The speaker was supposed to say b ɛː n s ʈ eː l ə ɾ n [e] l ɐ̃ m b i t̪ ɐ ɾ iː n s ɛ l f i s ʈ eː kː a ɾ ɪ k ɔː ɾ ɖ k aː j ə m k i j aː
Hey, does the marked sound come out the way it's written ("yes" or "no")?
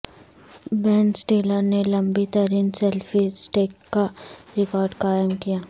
yes